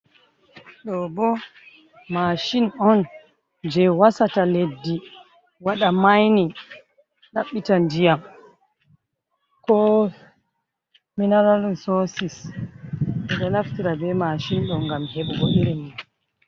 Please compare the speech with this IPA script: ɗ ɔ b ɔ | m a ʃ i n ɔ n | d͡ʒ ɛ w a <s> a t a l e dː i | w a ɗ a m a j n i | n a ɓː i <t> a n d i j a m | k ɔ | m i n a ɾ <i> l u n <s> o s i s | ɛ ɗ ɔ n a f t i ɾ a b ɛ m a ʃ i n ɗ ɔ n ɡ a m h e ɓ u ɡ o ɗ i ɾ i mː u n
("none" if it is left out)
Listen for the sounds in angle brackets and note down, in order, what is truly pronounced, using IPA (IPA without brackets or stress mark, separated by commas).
s, t, a, s